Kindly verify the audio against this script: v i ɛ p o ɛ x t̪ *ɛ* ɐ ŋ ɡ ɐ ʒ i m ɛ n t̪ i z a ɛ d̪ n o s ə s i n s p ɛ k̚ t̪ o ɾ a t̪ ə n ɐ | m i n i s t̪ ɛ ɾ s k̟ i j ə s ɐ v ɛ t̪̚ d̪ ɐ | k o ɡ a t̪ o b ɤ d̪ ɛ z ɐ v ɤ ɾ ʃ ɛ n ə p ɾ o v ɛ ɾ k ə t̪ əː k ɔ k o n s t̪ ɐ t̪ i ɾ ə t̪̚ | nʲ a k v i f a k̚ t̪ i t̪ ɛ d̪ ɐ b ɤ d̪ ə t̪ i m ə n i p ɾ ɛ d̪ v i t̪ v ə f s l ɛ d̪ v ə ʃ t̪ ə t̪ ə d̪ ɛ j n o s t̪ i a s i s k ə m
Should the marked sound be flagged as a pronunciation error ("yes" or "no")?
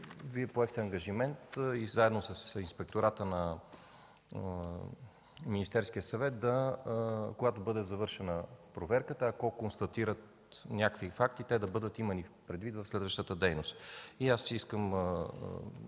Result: no